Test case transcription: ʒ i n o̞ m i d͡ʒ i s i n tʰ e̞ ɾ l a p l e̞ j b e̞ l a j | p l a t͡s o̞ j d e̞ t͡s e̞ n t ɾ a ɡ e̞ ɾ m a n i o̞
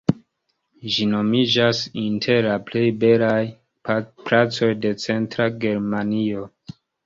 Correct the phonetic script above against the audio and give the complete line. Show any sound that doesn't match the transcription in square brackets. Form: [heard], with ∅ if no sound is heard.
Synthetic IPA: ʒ i n o̞ m i d͡ʒ [a] s i n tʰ e̞ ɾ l a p l e̞ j b e̞ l a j | p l a t͡s o̞ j d e̞ t͡s e̞ n t ɾ a ɡ e̞ ɾ m a n i o̞